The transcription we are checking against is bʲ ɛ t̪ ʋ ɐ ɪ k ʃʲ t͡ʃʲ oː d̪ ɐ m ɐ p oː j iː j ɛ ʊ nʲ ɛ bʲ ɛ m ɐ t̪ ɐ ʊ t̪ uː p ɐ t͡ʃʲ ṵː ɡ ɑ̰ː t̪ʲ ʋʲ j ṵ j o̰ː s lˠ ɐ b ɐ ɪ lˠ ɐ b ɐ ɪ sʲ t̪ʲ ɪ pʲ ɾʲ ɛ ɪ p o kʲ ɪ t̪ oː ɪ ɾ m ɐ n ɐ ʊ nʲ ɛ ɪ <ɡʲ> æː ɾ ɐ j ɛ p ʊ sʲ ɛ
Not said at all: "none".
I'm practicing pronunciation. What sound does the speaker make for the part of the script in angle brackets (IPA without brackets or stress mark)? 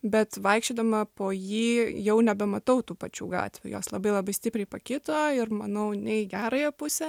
ɡʲ